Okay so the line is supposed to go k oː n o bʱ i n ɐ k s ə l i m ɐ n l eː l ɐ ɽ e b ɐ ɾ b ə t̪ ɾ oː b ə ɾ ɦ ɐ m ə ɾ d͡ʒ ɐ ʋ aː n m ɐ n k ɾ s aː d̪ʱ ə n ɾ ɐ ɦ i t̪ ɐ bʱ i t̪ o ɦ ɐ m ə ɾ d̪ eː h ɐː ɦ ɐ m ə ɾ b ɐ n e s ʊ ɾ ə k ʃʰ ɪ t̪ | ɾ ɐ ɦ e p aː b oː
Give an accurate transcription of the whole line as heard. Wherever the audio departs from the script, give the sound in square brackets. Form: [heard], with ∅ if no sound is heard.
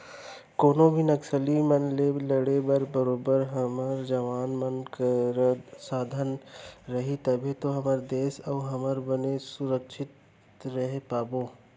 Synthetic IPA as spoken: k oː n o bʱ i n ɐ k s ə l i m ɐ n l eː l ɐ ɽ e b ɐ ɾ b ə [∅] ɾ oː b ə ɾ ɦ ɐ m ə ɾ d͡ʒ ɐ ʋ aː n m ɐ n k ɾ s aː d̪ʱ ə n ɾ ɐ ɦ i t̪ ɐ bʱ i t̪ o ɦ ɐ m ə ɾ d̪ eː [s] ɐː ɦ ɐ m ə ɾ b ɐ n e s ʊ ɾ ə k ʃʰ ɪ t̪ | ɾ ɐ ɦ e p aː b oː

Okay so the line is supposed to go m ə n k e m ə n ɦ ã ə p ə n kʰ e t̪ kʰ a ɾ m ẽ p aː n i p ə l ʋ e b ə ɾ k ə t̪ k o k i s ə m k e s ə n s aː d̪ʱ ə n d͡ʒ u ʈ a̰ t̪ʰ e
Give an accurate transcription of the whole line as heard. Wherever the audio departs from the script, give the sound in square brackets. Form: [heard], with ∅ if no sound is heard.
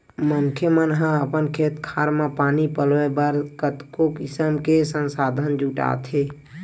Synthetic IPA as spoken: m ə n [kʰ] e m ə n ɦ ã ə p ə n kʰ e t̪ kʰ a ɾ m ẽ p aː n i p ə l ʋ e b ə ɾ k ə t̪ k o k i s ə m k e s ə n s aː d̪ʱ ə n d͡ʒ u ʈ a̰ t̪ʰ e

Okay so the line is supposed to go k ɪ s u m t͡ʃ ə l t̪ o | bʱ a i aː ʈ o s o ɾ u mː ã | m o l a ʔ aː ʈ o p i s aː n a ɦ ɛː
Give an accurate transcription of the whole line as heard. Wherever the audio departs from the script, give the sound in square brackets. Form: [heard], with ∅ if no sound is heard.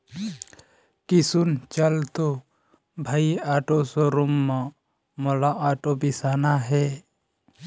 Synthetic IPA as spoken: k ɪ s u [n] t͡ʃ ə l t̪ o | bʱ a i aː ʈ o s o ɾ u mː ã | m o l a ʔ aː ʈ o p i s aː n a ɦ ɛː

